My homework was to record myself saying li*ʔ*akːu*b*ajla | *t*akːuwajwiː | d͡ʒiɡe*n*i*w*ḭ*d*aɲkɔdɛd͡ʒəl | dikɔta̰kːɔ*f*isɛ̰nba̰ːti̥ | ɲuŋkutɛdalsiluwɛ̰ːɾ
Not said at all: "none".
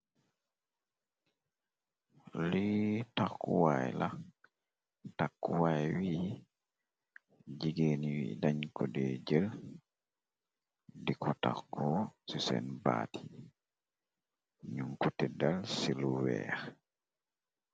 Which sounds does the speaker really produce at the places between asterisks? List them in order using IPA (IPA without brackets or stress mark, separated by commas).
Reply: t, w, t, n, w, d, s